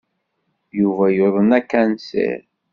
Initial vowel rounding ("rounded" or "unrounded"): rounded